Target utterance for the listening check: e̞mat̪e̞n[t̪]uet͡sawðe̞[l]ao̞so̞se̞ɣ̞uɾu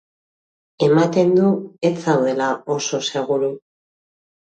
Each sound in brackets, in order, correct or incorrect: incorrect, correct

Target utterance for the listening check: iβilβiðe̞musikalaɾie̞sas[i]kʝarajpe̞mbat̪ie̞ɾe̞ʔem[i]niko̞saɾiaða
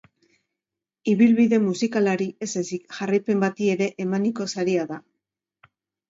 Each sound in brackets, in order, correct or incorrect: correct, incorrect

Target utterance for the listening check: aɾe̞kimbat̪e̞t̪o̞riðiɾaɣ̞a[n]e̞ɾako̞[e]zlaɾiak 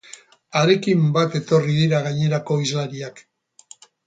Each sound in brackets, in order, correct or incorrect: incorrect, incorrect

